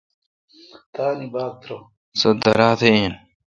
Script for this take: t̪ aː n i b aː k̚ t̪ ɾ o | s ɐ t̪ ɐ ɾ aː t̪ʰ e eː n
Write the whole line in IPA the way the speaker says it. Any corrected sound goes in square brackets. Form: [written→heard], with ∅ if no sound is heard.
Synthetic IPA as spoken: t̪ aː n i b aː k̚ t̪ ɾ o | s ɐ [t̪→d̪] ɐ ɾ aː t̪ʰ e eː n

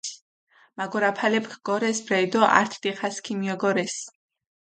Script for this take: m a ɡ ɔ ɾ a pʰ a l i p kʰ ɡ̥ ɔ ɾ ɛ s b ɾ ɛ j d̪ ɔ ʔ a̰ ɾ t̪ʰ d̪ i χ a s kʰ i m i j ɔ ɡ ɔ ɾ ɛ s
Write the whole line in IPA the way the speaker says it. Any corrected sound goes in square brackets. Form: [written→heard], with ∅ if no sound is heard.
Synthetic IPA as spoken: m a ɡ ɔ ɾ a pʰ a l [i→ɛ] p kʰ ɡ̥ ɔ ɾ ɛ s b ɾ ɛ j d̪ ɔ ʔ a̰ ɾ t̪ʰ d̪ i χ a s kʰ i m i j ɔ ɡ ɔ ɾ ɛ s

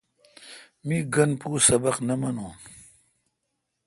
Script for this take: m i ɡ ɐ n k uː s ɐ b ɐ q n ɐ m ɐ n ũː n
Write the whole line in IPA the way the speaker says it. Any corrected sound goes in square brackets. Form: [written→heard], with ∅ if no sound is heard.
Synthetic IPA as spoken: m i ɡ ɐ n [k→p] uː s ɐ b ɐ q n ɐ m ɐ n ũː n

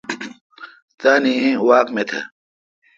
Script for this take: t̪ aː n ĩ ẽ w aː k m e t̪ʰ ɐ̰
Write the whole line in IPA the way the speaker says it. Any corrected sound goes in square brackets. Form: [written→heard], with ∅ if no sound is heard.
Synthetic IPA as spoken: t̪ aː n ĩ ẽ w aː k m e t̪ʰ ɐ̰

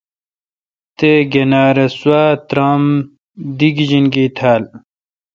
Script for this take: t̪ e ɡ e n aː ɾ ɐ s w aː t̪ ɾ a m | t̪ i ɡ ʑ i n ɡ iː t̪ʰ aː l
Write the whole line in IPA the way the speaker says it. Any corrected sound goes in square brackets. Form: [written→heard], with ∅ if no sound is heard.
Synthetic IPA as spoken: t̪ e ɡ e n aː ɾ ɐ s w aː t̪ ɾ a m | [t̪→d̪] i ɡ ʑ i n ɡ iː t̪ʰ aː l

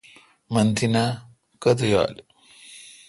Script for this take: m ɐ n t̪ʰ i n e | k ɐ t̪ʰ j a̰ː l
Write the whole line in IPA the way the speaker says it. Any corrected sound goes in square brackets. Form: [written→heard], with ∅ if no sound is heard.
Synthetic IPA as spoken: m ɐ n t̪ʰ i n [e→a] | k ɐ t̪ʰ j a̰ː l

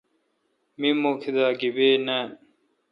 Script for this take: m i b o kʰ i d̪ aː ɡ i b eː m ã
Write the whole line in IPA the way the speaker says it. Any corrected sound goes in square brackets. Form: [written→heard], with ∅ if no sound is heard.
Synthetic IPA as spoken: m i [b→m] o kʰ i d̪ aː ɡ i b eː [m→n] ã

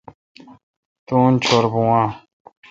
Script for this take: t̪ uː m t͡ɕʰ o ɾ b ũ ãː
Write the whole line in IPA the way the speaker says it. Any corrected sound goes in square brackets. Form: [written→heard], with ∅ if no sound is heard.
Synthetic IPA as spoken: t̪ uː [m→n] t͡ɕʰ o ɾ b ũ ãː

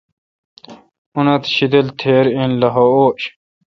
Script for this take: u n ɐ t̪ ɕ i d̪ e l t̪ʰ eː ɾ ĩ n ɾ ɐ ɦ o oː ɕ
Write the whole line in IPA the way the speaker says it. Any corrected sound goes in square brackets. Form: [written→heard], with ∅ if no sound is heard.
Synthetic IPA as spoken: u n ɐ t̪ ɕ i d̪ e l t̪ʰ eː ɾ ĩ n [ɾ→l] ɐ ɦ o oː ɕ

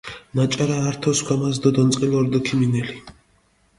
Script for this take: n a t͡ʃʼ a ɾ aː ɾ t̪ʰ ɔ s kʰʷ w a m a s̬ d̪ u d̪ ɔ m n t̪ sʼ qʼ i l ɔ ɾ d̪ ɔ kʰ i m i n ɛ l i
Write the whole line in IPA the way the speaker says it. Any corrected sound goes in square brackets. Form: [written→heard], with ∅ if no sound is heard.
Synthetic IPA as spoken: n a t͡ʃʼ a ɾ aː ɾ t̪ʰ ɔ s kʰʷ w a m a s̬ d̪ [u→ɔ] d̪ ɔ [m→∅] n t̪ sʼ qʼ i l ɔ ɾ d̪ ɔ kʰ i m i n ɛ l i

